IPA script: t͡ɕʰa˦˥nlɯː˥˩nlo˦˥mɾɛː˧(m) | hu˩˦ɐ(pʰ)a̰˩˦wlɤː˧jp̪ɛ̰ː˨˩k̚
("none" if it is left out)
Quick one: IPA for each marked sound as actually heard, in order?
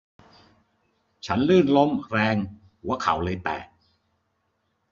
ŋ, kʰ

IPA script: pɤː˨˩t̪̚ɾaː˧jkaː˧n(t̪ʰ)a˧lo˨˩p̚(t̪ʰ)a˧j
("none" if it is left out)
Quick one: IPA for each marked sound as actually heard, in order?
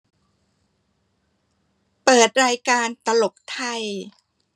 t̪, t̪ʰ

